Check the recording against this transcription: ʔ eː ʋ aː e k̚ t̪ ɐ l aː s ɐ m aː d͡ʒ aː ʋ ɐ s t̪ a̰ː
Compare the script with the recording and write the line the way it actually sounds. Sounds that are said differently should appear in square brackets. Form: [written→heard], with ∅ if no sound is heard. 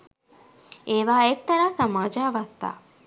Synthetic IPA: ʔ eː ʋ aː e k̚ t̪ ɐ [l→ɾ] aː s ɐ m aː d͡ʒ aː ʋ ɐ s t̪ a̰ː